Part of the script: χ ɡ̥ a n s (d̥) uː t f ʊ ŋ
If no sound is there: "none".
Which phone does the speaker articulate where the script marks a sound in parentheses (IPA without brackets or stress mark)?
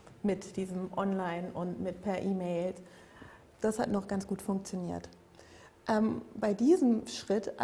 ɡ̥